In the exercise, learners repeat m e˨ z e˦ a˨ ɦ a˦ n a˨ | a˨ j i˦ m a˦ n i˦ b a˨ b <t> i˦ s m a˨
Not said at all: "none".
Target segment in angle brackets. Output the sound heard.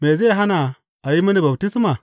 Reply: t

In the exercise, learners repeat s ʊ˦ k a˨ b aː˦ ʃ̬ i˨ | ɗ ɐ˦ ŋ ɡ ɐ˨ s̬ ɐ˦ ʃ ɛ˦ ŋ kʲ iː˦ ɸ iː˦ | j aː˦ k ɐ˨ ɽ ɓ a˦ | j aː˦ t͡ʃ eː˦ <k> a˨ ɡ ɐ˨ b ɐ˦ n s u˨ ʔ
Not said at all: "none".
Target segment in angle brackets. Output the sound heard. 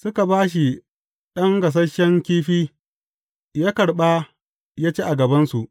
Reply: ʔ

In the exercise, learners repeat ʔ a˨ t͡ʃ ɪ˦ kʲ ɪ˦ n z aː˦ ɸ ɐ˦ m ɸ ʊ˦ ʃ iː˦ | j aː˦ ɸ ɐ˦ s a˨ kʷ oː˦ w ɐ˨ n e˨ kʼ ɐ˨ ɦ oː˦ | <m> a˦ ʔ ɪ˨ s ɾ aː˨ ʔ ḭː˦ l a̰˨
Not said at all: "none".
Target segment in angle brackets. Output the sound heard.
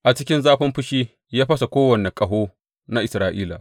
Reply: n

